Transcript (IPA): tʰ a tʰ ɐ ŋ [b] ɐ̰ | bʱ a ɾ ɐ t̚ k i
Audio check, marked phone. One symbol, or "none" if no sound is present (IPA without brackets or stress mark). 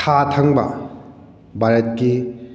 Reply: b